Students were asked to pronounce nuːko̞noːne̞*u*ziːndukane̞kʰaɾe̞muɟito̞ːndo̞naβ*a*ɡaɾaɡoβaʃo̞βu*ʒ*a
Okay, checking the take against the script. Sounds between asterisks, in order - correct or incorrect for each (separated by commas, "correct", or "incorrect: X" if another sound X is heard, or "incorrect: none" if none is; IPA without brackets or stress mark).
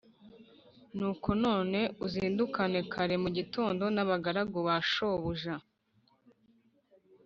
correct, correct, correct